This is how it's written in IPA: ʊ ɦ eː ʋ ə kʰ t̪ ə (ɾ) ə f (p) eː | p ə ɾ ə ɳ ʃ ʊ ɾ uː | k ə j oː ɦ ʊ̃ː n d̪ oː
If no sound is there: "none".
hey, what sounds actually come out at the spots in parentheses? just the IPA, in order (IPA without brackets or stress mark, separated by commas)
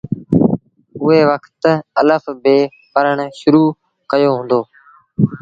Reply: l, b